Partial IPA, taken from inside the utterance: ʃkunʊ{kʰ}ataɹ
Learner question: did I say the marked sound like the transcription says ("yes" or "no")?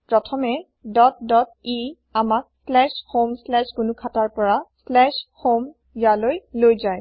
yes